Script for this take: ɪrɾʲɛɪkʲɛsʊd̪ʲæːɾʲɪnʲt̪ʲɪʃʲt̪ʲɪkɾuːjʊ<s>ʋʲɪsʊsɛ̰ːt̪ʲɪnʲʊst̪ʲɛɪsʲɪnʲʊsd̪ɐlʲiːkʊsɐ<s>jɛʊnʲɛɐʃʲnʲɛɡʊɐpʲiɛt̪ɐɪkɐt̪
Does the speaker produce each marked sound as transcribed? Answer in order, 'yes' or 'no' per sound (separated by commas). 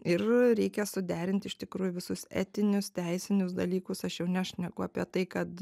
no, no